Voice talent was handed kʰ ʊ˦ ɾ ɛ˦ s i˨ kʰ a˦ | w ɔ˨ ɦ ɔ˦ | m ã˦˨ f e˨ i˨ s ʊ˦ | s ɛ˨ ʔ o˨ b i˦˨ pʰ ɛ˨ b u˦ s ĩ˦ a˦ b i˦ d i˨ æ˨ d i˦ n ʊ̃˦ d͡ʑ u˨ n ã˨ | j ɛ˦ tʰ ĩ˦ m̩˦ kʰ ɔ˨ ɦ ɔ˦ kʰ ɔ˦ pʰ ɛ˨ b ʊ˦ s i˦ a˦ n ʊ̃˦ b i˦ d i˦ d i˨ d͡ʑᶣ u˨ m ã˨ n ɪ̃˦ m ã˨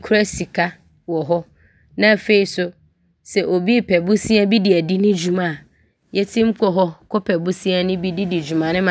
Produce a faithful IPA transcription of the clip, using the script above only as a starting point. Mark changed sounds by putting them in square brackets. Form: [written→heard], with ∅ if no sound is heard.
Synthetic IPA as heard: kʰ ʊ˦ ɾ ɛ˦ s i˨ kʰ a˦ | w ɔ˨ ɦ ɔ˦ | [m→n] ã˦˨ f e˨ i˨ s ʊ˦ | s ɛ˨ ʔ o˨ b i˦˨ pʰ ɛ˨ b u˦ s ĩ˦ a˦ b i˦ d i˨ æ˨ d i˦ n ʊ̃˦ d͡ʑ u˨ [n→m] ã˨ | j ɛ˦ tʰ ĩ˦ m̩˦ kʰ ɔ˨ ɦ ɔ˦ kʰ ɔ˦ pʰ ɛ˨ b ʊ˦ s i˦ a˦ n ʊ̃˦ b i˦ d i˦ d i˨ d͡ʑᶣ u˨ m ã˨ n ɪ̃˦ m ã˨